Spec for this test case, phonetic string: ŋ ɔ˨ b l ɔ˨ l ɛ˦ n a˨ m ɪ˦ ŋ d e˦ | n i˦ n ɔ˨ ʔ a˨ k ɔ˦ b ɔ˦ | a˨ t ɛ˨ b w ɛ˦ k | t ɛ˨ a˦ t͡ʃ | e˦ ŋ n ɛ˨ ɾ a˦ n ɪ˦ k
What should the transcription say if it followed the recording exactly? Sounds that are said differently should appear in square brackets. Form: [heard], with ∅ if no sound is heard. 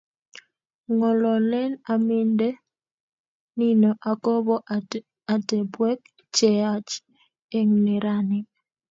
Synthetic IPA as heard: ŋ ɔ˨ [∅] l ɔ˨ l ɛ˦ n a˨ m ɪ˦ [n] d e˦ | n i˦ n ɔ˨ ʔ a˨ k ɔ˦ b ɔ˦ | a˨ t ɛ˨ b w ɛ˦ k | [t͡ʃ] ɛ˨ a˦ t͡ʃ | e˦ ŋ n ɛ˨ ɾ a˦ n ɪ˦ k